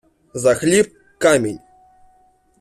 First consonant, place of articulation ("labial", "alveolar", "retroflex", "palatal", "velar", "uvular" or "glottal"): alveolar